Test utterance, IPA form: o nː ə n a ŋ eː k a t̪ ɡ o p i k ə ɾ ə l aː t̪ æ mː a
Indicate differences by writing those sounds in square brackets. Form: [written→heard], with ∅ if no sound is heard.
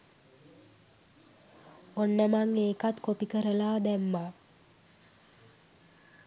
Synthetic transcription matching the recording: o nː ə [n→m] a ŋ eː k a t̪ [ɡ→k] o p i k ə ɾ ə l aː [t̪→d̪] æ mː a